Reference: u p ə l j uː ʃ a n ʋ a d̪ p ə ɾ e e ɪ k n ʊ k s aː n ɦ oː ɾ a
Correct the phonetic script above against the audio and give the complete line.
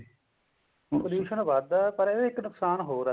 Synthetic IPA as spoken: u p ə l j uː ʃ ə n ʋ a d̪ p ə ɾ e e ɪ k n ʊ k s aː n ɦ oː ɾ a

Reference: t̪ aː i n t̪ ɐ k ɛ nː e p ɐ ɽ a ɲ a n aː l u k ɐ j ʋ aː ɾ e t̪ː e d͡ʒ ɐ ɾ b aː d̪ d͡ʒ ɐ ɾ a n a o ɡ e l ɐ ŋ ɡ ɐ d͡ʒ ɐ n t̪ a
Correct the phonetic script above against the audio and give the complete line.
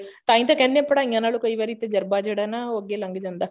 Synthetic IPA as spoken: t̪ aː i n t̪ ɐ k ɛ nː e p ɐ ɽ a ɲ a n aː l u k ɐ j ʋ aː ɾ i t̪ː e d͡ʒ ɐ ɾ b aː d͡ʒ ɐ ɽ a n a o ɡ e l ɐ ŋ ɡ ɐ d͡ʒ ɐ n d̪ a

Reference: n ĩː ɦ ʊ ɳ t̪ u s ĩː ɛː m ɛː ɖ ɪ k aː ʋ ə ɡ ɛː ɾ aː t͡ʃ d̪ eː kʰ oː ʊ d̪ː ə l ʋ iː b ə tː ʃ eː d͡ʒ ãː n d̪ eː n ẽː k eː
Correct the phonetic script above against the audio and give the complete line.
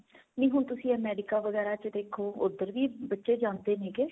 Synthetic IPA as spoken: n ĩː ɦ ʊ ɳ t̪ ʊ s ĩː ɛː m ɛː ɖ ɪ k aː ʋ ə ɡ ɛː ɾ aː t͡ʃ d̪ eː kʰ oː ʊ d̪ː ə ɾ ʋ iː b ə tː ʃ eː d͡ʒ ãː n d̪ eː n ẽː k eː

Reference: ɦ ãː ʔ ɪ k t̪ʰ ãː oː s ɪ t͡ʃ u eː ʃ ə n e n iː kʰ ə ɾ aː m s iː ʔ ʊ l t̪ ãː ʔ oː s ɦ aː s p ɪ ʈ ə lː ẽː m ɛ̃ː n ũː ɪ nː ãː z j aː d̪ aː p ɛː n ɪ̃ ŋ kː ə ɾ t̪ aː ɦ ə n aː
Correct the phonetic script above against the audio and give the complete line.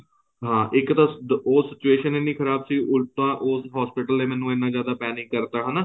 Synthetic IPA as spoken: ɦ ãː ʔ ɪ k t̪ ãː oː s ɪ t͡ʃ u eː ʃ ə n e n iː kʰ ə ɾ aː b s iː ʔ ʊ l t̪ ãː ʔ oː s ɦ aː s p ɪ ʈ ə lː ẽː m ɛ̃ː n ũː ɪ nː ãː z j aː d̪ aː p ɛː n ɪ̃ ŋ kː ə ɾ t̪ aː ɦ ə n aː

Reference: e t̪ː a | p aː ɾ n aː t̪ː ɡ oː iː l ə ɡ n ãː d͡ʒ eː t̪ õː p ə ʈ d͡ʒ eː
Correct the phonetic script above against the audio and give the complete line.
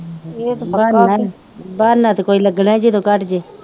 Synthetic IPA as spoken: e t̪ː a | b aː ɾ n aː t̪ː k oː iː l ə ɡ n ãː d͡ʒ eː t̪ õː k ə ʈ d͡ʒ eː

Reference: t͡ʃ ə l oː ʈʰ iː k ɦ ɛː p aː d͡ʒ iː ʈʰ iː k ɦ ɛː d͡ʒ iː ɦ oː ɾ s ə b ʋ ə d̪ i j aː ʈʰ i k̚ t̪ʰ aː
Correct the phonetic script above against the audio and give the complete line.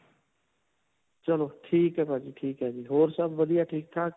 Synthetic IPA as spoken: t͡ʃ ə l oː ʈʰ iː k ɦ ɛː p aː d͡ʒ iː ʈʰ iː k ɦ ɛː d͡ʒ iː ɦ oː ɾ s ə b ʋ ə d̪ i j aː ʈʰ iː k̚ t̪ʰ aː

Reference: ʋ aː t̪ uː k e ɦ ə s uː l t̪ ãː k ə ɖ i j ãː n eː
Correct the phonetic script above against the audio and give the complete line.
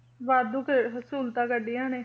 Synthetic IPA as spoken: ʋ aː d̪ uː k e ɦ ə s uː l t̪ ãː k ə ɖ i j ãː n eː

